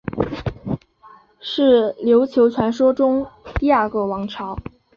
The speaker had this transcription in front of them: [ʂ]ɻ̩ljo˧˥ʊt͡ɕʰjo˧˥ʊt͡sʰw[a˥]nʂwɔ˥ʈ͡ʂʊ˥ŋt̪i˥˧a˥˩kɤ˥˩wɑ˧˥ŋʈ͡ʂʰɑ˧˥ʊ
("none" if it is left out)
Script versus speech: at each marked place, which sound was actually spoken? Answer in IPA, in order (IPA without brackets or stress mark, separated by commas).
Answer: ʂ, a˧˥